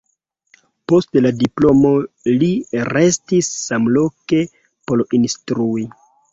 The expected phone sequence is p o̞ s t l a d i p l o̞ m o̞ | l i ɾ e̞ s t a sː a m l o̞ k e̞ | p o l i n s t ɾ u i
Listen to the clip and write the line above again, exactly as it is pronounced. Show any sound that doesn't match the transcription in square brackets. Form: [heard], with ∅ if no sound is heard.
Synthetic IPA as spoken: p o̞ s t l a d i p l o̞ m o̞ | l i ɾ e̞ s t [i] sː a m l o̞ k e̞ | p o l i n s t ɾ u i